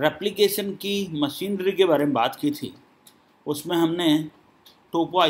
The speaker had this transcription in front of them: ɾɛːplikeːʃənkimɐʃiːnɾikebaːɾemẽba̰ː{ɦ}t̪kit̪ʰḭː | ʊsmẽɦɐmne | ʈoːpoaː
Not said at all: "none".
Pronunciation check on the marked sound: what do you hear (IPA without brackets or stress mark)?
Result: none